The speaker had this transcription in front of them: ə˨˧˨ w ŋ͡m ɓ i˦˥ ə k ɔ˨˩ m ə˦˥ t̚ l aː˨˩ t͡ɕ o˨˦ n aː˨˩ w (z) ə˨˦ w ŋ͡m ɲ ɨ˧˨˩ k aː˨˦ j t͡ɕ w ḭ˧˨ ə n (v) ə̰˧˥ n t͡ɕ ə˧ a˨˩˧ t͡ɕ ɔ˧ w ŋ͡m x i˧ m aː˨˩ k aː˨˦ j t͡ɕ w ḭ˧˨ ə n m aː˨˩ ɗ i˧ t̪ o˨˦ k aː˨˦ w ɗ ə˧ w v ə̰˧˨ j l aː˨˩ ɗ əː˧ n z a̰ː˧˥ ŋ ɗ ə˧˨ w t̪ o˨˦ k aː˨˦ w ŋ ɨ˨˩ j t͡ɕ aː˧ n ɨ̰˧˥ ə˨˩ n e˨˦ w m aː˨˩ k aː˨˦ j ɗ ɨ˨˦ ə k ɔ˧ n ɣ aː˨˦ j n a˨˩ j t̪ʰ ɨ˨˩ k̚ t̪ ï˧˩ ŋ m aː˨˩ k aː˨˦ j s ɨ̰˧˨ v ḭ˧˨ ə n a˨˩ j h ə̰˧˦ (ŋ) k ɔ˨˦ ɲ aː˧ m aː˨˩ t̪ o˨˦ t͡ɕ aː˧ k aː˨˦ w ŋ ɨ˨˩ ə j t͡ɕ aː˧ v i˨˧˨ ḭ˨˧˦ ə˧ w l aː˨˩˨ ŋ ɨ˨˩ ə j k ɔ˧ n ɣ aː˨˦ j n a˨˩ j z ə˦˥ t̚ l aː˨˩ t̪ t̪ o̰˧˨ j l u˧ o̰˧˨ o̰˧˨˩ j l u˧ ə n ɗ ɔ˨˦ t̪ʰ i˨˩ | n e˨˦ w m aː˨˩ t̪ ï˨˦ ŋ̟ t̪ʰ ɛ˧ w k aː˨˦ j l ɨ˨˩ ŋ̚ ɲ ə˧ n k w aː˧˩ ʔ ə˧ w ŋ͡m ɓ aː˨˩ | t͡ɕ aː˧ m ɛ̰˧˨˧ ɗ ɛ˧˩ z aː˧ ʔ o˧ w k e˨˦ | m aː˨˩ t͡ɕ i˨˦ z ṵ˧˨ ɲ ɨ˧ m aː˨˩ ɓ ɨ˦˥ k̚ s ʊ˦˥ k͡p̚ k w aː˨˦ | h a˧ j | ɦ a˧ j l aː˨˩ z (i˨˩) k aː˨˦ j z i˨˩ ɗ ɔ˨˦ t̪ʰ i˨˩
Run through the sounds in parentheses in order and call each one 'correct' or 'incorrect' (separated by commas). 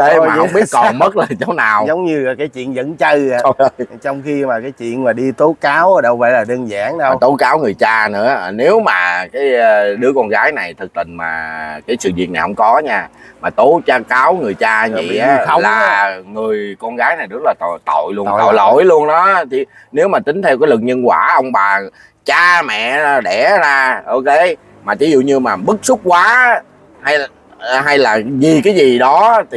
correct, incorrect, incorrect, correct